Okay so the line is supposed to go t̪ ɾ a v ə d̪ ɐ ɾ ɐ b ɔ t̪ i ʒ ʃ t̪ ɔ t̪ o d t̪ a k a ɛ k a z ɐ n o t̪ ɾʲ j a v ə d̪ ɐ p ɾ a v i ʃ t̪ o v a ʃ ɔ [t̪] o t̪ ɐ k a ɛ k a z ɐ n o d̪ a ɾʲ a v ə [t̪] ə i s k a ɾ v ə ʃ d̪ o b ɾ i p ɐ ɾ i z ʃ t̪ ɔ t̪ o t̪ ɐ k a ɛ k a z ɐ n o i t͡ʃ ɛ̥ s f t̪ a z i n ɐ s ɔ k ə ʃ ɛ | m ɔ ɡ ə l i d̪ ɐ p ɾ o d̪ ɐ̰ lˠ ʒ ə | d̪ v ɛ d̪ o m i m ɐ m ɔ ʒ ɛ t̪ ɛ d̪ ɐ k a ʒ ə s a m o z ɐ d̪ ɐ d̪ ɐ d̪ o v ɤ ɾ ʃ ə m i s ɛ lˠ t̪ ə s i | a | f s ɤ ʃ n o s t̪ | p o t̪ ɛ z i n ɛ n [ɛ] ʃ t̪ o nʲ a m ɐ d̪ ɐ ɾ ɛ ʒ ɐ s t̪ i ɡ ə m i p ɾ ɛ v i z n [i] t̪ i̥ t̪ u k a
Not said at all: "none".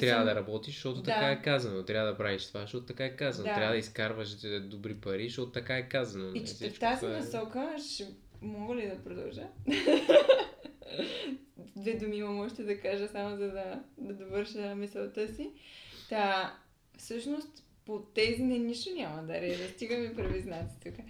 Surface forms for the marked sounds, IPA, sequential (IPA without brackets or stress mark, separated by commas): t̪, d̪, i, a